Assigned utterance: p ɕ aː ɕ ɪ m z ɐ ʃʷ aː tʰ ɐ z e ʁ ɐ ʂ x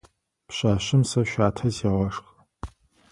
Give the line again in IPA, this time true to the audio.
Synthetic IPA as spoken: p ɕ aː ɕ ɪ m s ɐ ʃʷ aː tʰ ɐ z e ʁ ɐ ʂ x